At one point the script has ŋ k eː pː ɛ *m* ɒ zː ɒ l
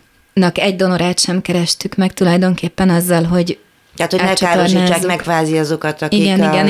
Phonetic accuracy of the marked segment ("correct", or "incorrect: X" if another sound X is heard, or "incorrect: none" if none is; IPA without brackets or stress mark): incorrect: n